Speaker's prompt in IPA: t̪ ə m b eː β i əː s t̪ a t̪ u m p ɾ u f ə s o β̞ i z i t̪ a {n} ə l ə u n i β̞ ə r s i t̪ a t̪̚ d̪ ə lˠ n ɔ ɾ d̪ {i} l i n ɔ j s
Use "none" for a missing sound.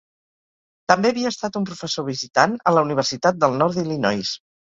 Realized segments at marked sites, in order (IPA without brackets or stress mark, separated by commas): n, i